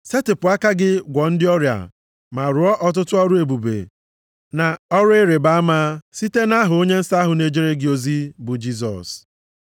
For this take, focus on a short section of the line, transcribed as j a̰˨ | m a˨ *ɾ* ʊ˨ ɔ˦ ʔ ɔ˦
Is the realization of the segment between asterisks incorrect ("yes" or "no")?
no